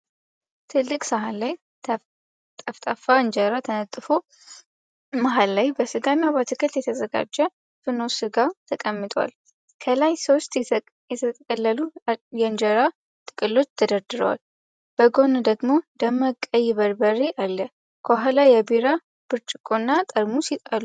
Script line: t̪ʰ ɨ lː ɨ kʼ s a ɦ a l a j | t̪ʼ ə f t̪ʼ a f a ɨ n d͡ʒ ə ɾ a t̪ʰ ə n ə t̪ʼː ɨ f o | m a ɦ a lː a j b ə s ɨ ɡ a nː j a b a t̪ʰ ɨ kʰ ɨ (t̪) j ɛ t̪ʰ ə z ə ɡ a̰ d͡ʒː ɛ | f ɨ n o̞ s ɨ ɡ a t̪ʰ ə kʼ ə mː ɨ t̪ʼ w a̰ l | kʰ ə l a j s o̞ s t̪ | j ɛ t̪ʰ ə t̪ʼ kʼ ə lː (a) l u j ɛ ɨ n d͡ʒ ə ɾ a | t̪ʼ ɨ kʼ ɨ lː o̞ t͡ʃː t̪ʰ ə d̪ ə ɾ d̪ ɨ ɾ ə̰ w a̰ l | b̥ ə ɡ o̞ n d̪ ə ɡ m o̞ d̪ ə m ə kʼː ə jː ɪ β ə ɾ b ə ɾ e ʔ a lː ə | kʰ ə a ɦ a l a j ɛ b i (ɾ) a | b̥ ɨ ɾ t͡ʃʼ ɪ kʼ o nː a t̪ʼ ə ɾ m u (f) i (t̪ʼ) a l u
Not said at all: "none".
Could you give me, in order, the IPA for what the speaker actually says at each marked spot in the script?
t̪, ə, ɾ, s, t̪ʼ

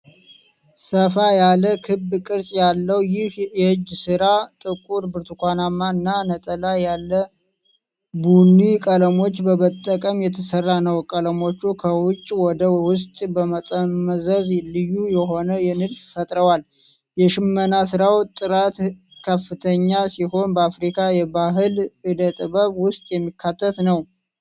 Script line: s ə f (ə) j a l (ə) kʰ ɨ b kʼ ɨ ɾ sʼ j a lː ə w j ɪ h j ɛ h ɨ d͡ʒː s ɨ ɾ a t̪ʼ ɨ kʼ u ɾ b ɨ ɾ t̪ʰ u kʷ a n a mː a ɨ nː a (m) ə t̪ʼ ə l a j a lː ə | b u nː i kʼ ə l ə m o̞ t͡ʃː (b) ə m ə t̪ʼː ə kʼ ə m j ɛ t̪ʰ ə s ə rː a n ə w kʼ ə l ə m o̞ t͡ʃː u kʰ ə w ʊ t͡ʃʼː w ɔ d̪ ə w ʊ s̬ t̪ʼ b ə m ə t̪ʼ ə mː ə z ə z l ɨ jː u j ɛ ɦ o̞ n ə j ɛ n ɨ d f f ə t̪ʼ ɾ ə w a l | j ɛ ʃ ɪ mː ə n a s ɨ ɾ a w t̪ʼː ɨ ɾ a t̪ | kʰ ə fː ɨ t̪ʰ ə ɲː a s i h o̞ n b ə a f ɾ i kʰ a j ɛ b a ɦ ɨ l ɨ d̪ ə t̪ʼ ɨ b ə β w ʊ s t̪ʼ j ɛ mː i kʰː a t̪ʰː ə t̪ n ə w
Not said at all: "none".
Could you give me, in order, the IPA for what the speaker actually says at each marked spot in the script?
a, ə, n, b

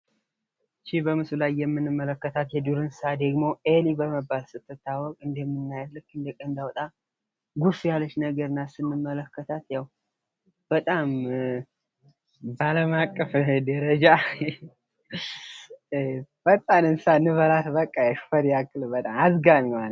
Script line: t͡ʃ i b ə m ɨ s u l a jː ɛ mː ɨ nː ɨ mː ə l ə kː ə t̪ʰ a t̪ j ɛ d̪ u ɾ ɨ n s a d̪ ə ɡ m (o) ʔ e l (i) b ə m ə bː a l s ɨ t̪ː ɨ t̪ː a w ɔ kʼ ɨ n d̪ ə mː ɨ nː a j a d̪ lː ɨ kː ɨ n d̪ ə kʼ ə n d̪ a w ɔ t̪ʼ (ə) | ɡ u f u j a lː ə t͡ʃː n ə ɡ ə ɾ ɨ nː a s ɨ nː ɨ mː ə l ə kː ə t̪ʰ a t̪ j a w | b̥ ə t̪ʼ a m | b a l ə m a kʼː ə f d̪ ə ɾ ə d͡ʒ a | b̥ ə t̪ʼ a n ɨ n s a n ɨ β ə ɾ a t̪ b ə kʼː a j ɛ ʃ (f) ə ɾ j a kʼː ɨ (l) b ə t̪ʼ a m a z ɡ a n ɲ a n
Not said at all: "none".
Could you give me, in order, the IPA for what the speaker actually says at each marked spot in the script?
o, i, a, f, l

